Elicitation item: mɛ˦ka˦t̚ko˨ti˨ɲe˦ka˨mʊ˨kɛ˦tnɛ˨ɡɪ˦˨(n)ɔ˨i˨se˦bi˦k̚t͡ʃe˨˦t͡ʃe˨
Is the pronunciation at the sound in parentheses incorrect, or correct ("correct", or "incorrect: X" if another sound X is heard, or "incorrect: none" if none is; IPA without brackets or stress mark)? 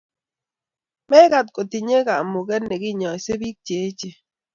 incorrect: ɲ